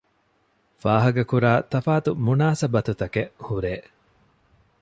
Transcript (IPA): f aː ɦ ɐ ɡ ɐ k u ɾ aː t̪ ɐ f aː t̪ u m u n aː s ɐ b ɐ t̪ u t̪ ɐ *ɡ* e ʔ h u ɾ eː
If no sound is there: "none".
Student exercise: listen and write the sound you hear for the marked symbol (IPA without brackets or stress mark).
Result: k